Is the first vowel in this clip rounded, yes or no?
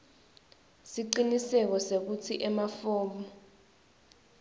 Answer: no